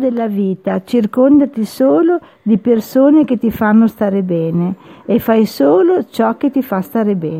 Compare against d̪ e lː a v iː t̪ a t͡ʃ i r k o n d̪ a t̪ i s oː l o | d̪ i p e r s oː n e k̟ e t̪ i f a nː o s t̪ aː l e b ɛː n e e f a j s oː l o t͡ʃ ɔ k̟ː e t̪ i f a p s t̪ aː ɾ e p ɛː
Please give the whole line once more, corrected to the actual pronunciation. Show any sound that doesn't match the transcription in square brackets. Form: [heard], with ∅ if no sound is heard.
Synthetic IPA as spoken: d̪ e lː a v iː t̪ a t͡ʃ i r k o n d̪ a t̪ i s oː l o | d̪ i p e r s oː n e k̟ e t̪ i f a nː o s t̪ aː [ɾ] e b ɛː n e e f a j s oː l o t͡ʃ ɔ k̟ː e t̪ i f a [∅] s t̪ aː ɾ e [b] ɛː